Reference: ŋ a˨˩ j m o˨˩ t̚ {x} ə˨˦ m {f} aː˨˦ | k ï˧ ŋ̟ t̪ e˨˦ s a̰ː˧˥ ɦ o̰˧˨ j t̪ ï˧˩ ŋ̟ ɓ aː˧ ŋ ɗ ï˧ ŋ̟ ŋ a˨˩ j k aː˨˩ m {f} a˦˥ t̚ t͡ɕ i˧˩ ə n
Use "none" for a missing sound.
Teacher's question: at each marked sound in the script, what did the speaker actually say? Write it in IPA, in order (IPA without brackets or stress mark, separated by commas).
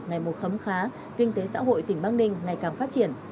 x, x, f